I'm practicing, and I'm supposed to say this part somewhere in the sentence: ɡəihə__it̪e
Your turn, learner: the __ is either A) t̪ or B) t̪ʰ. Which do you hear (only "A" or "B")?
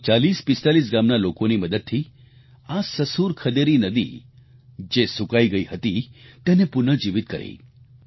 A